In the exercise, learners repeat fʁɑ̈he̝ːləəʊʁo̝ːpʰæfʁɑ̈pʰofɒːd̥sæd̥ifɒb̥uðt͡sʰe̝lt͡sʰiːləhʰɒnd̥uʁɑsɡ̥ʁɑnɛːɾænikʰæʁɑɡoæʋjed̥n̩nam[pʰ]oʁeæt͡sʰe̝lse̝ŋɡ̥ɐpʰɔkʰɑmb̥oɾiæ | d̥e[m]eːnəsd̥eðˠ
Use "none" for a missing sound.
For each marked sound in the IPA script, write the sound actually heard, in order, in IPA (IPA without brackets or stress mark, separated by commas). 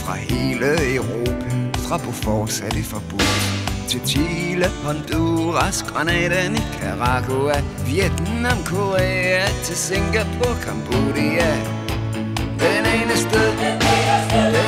kʰ, n